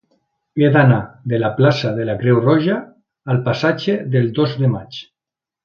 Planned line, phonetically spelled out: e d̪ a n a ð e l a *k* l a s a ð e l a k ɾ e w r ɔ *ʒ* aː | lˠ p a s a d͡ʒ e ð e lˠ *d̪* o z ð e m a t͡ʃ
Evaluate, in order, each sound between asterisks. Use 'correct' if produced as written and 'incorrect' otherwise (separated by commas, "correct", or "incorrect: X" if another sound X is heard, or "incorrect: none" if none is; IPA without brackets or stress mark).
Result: incorrect: p, correct, correct